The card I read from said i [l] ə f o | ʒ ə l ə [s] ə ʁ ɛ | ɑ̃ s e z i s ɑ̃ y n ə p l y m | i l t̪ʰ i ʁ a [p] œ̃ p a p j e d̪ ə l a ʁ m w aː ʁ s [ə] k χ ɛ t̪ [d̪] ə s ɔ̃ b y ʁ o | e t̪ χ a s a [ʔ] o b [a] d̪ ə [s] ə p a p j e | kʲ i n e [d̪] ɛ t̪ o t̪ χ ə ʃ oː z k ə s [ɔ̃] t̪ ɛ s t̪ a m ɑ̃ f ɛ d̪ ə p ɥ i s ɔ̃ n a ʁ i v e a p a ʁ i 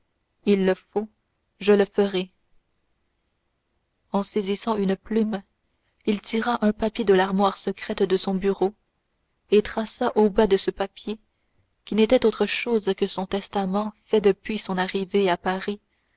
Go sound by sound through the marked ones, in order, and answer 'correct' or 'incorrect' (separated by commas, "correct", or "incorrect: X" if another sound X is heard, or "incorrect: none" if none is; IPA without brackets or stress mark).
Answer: incorrect: lː, incorrect: f, incorrect: ʔ, correct, correct, correct, correct, correct, incorrect: t̪, correct